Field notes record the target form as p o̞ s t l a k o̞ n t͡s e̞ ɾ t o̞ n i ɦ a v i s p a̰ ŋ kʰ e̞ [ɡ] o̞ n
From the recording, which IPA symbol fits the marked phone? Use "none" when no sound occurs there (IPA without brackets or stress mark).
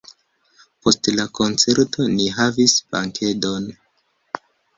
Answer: d